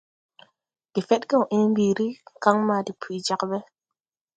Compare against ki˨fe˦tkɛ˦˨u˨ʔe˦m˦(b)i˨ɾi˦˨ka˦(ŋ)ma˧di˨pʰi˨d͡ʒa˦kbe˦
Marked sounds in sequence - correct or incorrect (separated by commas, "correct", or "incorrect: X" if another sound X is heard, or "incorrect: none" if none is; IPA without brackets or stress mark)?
correct, correct